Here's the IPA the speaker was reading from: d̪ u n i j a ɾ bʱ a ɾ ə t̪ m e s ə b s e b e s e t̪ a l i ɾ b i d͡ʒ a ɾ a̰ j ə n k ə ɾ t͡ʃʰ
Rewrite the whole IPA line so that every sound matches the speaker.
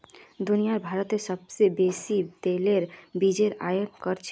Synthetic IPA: d̪ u n i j a ɾ bʱ a ɾ ə t̪ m e s ə b s e b e s i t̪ e l e ɾ b i d͡ʒ e ɾ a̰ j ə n k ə ɾ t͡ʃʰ